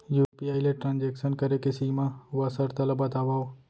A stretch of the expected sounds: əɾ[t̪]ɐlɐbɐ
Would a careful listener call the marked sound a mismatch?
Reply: no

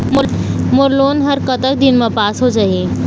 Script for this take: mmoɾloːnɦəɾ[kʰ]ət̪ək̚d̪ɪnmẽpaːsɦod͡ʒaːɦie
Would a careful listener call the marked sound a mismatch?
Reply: yes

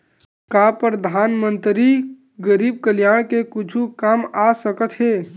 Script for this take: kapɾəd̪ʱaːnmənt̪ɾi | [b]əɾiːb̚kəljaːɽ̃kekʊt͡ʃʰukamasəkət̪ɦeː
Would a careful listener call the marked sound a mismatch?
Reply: yes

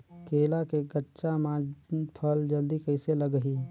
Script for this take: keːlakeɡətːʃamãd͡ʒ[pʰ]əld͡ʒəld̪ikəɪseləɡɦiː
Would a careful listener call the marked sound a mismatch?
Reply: no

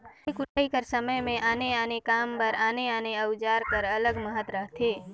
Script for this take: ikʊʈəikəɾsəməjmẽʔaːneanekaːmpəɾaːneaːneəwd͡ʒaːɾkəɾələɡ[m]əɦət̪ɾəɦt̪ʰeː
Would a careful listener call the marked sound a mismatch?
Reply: no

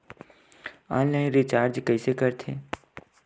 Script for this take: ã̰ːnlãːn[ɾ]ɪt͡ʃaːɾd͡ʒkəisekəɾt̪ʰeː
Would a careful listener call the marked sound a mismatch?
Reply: no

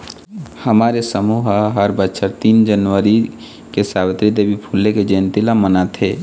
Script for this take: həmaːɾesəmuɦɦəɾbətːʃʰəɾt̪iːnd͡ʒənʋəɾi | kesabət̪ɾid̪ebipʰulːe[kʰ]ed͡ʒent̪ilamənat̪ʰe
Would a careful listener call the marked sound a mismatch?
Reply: yes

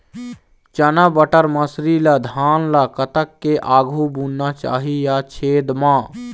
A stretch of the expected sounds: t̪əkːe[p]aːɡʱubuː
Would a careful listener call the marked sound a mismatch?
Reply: yes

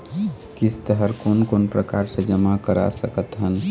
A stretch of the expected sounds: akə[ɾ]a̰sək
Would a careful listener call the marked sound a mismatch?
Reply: no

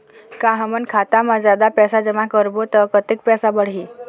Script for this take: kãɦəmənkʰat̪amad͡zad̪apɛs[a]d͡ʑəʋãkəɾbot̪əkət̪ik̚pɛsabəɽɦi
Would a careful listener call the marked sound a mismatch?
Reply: no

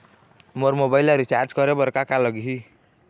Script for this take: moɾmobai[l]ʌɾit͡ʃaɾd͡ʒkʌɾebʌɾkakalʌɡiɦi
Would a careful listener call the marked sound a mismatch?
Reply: no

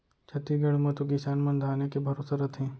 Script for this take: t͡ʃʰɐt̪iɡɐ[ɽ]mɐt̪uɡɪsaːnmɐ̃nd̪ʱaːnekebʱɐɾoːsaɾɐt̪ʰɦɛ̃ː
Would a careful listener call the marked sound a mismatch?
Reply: no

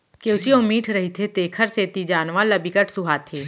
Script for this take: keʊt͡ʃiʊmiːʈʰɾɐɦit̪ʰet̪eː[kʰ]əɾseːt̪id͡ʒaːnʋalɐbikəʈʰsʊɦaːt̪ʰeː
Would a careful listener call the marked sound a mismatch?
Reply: no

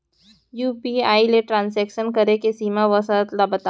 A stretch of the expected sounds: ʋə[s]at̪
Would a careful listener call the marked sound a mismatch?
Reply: no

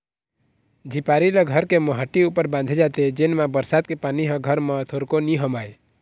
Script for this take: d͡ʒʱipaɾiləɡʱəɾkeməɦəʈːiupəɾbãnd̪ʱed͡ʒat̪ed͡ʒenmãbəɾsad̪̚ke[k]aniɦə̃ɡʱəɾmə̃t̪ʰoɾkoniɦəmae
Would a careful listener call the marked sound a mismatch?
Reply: yes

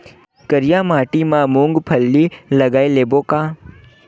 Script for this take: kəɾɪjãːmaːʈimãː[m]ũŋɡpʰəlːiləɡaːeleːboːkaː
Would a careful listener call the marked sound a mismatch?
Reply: no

